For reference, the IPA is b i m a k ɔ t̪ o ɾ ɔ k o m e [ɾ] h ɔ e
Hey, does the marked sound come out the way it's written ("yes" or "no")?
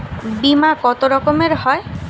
yes